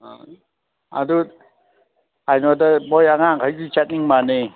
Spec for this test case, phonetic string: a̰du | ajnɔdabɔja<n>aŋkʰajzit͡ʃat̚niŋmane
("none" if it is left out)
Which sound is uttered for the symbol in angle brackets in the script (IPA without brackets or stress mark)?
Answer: ŋ